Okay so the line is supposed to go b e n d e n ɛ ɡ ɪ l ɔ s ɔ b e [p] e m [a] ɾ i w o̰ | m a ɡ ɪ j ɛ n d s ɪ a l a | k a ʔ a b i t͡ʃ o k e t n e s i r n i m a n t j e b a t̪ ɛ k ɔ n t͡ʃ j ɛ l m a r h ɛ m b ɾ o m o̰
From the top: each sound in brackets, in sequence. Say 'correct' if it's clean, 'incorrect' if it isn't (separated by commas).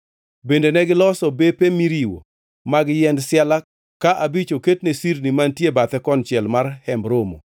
correct, incorrect